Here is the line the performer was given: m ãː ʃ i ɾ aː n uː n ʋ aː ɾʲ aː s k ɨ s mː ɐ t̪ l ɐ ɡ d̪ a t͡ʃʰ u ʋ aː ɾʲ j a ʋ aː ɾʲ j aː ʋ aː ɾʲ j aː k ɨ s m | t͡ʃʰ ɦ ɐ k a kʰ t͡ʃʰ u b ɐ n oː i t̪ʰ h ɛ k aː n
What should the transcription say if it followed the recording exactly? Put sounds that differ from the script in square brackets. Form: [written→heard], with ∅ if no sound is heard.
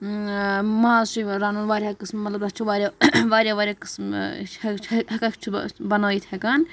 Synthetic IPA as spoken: m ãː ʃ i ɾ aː n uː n ʋ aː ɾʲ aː [s→∅] k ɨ s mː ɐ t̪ l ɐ [ɡ→b] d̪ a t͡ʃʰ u ʋ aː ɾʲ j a ʋ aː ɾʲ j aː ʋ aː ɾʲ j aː k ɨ s m | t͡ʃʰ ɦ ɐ k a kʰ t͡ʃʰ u b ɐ n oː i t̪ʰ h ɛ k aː n

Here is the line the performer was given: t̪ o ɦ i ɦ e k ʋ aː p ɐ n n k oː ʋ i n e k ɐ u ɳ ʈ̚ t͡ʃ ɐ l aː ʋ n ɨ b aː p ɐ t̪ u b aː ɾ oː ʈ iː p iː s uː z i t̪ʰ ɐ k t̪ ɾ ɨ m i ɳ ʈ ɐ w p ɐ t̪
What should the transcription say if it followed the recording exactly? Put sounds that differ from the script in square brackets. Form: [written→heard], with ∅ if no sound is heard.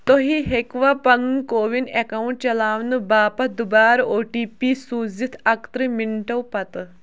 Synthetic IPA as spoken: t̪ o ɦ i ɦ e k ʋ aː p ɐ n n k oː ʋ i n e k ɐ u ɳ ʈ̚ t͡ʃ ɐ l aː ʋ n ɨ b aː p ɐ [t̪→d̪] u b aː ɾ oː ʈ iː p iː s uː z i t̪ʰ ɐ k t̪ ɾ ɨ m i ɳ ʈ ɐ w p ɐ t̪

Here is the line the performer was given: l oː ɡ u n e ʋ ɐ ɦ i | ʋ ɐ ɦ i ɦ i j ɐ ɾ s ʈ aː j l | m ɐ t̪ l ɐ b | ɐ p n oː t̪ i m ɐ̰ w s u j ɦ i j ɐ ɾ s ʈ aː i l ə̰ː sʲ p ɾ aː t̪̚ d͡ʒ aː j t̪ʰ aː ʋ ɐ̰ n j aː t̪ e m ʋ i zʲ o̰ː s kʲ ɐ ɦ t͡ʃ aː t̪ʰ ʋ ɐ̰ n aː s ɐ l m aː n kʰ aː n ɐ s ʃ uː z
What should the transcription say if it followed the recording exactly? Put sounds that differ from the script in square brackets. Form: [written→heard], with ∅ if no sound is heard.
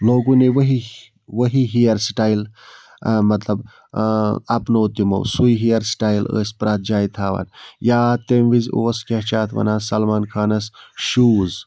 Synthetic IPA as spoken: l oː ɡ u n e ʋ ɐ ɦ i | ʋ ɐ ɦ i ɦ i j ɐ ɾ s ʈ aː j l | m ɐ t̪ l ɐ b | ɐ p n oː t̪ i m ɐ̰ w s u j ɦ i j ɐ ɾ s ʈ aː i l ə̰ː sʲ p ɾ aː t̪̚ d͡ʒ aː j t̪ʰ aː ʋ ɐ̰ n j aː t̪ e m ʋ i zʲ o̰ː s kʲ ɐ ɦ t͡ʃ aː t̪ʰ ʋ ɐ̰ n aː s ɐ l m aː n kʰ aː n ɐ s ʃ uː z

